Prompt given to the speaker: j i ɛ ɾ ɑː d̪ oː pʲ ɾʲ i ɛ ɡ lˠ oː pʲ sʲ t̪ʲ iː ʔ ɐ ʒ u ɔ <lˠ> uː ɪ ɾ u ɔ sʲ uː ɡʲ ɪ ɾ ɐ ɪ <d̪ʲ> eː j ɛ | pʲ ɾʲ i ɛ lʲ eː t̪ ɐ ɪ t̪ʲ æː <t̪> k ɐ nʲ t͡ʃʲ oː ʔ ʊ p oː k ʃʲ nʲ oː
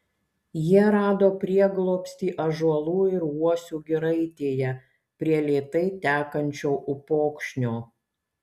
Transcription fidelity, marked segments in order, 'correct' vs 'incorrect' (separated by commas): correct, incorrect, incorrect